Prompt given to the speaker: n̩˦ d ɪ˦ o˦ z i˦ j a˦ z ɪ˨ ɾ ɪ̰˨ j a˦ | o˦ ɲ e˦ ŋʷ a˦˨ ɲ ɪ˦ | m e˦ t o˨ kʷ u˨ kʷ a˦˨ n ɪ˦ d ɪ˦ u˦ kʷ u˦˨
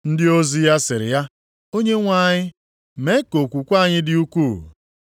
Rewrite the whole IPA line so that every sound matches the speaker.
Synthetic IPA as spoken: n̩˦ d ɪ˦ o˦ z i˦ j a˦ s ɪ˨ ɾ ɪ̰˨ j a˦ | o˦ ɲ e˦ ŋʷ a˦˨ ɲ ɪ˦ | m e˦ k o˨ kʷ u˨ kʷ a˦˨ ɲ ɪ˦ d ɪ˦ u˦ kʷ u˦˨